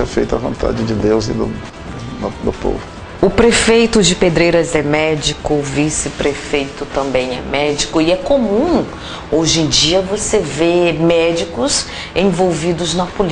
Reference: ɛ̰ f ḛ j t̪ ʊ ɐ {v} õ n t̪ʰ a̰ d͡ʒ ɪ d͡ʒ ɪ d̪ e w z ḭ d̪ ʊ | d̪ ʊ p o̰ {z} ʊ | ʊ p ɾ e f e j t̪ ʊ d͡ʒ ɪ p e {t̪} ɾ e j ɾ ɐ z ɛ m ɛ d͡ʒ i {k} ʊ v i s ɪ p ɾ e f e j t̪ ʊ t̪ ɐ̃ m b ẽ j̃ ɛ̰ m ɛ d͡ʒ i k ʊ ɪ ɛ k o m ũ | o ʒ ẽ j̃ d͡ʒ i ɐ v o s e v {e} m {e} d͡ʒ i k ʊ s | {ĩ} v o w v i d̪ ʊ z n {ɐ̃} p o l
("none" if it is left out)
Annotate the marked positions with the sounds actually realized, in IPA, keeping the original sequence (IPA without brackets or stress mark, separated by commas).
v, v, d̪, k, e, ɛ, ẽ, ɐ